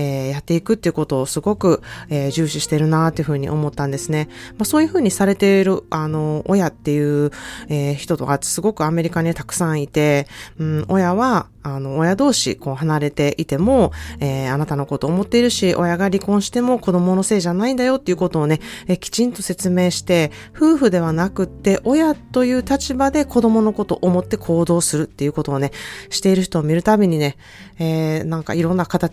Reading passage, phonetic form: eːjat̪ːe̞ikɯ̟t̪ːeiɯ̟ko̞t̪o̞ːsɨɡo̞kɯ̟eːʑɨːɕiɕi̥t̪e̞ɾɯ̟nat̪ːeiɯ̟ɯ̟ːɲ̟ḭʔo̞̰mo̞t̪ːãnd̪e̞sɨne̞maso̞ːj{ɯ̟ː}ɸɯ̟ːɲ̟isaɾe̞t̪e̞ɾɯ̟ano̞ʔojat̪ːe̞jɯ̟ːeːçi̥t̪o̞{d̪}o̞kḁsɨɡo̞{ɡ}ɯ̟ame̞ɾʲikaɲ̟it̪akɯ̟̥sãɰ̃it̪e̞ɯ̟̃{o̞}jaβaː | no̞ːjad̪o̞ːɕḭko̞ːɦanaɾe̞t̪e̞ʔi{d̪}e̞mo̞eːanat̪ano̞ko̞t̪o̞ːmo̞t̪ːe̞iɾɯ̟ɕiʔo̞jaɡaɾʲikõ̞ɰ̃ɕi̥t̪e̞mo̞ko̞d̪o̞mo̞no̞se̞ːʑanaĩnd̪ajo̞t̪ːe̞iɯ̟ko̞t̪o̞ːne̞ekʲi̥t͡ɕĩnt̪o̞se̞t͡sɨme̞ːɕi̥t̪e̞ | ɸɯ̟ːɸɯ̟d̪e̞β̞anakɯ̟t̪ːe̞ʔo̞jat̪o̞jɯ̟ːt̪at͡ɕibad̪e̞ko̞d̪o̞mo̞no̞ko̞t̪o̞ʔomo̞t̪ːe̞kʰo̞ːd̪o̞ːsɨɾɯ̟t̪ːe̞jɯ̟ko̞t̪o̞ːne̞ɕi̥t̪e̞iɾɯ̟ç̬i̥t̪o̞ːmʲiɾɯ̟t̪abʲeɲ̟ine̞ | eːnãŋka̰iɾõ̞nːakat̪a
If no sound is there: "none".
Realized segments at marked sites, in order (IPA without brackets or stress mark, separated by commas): ɯ̟, t̪, k, o̞, t̪